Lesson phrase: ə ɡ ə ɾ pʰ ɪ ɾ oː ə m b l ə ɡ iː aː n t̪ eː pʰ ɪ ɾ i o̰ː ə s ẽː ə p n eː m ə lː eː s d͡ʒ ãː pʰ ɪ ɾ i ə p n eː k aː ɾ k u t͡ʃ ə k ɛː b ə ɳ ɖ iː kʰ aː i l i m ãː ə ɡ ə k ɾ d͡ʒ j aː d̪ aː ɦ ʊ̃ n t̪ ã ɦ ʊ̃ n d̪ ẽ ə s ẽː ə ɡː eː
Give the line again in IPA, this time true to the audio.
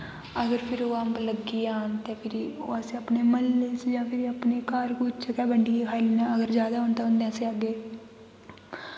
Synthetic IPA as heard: ə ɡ ə ɾ pʰ ɪ ɾ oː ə m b l ə ɡ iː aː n t̪ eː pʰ ɪ ɾ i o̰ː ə s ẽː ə p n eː m ə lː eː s d͡ʒ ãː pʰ ɪ ɾ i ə p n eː k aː ɾ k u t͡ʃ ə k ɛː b ə ɳ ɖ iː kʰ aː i l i n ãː ə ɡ ə ɾ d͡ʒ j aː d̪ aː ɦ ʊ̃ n t̪ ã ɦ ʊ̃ n d̪ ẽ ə s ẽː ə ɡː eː